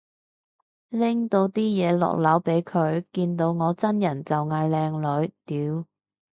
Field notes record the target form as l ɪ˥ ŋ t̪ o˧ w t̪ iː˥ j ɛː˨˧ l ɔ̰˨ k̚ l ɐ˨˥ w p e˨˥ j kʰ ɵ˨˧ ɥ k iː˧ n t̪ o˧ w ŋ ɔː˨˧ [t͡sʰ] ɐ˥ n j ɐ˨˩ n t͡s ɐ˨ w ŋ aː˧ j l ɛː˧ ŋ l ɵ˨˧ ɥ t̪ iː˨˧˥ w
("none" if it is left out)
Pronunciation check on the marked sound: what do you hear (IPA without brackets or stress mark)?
t͡s